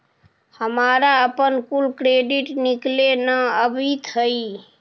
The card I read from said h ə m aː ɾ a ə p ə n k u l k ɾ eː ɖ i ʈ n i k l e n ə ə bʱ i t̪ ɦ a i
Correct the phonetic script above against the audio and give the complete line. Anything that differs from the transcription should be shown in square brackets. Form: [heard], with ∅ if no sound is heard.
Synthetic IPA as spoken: h ə m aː ɾ a ə p ə n k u l k ɾ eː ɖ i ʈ n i k l e n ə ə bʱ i t̪ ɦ [ə] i